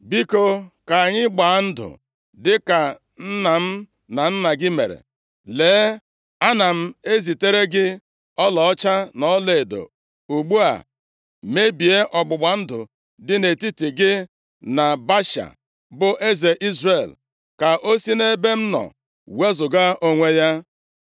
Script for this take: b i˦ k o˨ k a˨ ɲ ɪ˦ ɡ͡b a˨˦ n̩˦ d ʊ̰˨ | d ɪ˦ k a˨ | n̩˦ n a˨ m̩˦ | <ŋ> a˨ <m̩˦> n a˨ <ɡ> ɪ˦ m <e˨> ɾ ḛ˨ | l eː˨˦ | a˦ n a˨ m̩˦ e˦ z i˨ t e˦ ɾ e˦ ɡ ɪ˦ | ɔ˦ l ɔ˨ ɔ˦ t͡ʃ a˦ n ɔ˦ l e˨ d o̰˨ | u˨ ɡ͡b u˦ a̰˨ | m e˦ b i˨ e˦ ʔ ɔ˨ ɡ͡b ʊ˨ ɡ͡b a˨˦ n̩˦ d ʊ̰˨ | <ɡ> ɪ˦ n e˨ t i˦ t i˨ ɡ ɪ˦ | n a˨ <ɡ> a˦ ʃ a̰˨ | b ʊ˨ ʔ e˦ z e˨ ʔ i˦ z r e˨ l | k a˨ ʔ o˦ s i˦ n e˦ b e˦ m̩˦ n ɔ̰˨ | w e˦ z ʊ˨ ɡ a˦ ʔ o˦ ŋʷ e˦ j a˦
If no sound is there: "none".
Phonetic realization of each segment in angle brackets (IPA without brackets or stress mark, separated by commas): n, n̩˦, ɡ, e˨, d, b